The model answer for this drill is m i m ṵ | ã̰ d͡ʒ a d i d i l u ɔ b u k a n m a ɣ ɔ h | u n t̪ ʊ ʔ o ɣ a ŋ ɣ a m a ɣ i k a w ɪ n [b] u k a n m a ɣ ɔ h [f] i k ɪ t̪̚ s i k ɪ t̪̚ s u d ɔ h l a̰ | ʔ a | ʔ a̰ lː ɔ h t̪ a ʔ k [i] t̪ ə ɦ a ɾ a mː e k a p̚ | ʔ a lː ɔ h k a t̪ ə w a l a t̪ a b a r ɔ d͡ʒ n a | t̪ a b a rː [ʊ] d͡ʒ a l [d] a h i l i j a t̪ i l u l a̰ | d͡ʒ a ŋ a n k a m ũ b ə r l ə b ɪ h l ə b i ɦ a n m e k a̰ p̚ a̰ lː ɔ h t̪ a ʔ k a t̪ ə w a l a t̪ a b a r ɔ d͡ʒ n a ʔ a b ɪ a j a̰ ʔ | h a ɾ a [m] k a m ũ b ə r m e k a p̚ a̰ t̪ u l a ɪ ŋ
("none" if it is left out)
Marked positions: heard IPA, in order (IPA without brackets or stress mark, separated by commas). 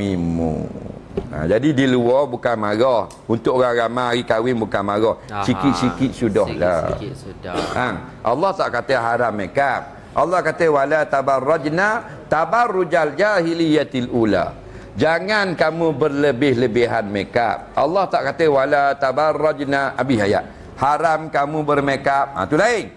b, s, a, u, d͡ʒ, m